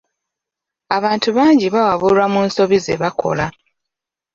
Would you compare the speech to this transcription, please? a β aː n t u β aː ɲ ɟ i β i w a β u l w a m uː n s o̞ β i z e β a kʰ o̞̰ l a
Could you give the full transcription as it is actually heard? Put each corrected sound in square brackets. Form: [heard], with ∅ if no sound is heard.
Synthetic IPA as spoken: a β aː n t u β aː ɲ ɟ i β [a] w a β u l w a m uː n s o̞ β i z e β a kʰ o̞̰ l a